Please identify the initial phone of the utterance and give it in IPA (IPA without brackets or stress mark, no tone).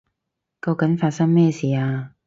k